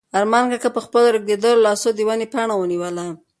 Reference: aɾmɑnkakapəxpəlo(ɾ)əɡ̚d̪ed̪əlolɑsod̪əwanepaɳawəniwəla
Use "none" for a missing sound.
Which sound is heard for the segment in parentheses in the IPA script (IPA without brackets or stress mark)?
ɾ